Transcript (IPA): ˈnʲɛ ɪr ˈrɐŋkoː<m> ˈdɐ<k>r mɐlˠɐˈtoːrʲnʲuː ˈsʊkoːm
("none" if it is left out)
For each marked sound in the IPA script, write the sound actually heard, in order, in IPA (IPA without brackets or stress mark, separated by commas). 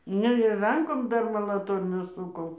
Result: m, none